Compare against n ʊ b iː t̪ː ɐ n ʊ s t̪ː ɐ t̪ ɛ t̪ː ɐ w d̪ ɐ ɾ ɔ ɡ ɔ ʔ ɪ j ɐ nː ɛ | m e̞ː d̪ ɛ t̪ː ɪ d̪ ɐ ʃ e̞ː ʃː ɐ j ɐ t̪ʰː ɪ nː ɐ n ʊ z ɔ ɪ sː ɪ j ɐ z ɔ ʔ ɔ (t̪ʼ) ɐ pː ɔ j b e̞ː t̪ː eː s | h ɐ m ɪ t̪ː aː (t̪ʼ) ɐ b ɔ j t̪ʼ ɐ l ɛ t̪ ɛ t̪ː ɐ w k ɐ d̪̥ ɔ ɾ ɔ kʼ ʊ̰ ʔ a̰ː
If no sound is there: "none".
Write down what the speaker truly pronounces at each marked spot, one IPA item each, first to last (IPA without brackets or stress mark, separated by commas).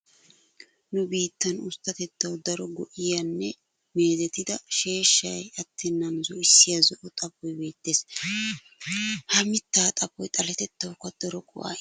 t̪ʼ, t̪ʼ